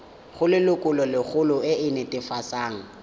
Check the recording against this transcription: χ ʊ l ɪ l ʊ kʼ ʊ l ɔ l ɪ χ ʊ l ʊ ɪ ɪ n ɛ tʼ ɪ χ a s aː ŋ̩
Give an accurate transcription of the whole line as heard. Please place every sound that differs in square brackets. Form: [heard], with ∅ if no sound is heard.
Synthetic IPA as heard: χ ʊ l ɪ l ʊ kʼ ʊ l ɔ l ɪ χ ʊ l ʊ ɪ ɪ n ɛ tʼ ɪ [f] a s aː ŋ̩